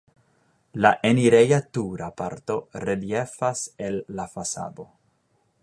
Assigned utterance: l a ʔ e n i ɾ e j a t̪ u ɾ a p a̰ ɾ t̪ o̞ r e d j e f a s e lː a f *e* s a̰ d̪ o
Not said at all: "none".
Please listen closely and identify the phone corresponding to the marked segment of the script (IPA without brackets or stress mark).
a